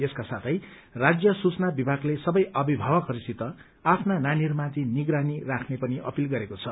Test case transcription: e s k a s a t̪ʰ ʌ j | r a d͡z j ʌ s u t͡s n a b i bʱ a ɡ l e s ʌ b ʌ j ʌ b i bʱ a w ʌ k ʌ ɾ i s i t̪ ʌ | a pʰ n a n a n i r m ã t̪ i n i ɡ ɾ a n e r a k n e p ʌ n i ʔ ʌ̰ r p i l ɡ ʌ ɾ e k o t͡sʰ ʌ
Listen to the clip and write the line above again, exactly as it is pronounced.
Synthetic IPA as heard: e s k a s a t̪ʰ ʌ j | r a d͡z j ʌ s u t͡s n a b i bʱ a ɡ l e s ʌ b ʌ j ʌ b i bʱ a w ʌ k ʌ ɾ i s i t̪ ʌ | a pʰ n a n a n i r m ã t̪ i n i ɡ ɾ a n i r a kʰ n e p ʌ n i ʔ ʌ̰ p i l ɡ ʌ ɾ e k o t͡sʰ ʌ